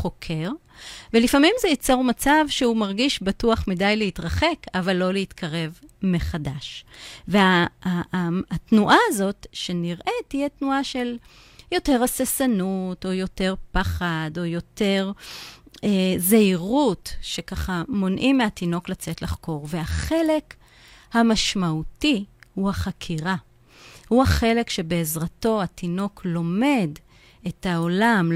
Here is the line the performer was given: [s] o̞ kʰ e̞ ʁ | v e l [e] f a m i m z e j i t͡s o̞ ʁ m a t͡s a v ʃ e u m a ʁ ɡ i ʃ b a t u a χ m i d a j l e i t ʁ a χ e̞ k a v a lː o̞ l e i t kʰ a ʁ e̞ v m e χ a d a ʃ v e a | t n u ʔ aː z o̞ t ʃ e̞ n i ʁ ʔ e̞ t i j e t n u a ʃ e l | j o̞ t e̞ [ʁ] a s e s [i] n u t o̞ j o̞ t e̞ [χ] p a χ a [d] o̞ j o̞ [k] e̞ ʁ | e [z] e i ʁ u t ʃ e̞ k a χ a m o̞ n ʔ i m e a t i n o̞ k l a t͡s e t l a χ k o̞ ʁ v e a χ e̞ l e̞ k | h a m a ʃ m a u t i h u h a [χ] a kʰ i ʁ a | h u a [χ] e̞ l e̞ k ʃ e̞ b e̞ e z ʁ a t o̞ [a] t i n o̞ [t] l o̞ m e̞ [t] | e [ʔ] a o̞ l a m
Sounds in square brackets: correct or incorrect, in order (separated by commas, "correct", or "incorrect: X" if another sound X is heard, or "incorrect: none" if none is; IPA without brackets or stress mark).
incorrect: χ, incorrect: i, correct, incorrect: a, incorrect: ʁ, correct, incorrect: t, correct, correct, correct, correct, incorrect: k, incorrect: d, incorrect: t